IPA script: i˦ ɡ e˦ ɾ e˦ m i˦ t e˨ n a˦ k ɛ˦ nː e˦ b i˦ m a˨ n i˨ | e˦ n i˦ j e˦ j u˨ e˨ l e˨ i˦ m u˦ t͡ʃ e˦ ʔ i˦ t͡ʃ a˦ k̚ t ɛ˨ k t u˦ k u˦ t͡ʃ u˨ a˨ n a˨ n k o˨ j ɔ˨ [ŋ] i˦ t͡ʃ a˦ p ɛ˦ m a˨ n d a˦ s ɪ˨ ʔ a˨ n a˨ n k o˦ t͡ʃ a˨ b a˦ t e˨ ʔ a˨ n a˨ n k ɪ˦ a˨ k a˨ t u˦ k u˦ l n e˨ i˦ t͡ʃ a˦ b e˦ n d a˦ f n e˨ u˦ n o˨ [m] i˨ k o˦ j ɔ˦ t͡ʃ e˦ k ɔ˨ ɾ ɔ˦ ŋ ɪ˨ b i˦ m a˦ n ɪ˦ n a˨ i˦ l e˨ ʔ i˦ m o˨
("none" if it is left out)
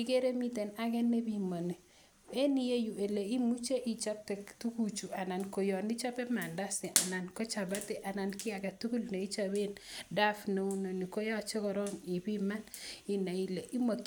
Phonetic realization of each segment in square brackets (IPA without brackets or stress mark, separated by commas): n, n